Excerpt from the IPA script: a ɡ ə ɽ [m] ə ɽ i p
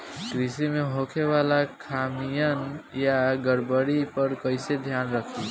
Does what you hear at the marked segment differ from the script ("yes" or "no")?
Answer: yes